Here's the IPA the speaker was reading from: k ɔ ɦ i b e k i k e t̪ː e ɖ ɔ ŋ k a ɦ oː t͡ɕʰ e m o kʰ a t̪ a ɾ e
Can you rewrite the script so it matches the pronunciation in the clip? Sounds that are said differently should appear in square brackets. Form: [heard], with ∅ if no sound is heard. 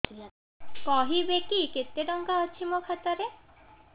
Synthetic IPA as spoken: k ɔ ɦ i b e k i k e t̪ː e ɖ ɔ ŋ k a ɦ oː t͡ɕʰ [i] m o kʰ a t̪ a ɾ e